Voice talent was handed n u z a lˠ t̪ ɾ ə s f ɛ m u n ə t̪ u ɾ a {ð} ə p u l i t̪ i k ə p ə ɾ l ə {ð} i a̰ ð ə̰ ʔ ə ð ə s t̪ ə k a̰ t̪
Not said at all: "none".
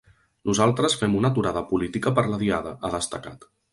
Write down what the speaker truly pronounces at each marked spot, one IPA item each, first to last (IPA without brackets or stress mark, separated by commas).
ð, ð